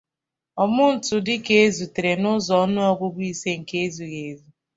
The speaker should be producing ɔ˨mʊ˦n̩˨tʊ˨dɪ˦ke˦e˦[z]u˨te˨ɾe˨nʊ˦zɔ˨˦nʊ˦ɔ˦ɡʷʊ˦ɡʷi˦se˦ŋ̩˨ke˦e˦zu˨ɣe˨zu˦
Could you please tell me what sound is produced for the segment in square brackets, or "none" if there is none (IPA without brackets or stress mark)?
z